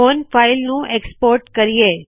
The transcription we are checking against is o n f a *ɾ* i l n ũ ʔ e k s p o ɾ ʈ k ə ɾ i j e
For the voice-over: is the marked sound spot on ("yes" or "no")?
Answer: no